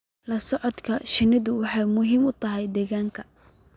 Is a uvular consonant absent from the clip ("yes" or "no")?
yes